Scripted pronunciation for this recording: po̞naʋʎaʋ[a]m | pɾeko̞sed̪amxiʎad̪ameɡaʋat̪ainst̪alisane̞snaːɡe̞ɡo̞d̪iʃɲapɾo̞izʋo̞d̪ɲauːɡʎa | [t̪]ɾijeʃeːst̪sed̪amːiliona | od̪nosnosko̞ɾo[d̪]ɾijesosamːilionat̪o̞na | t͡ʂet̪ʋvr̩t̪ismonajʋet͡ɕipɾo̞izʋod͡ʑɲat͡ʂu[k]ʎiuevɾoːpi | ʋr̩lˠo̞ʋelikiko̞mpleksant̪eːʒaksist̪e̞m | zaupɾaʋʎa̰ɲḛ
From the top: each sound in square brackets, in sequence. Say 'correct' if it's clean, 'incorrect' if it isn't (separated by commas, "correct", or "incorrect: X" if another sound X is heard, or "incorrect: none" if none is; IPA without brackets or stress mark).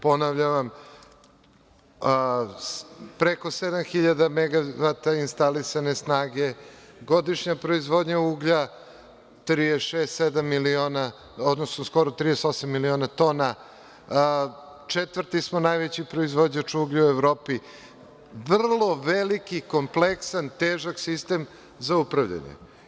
correct, correct, incorrect: t̪, incorrect: ɡ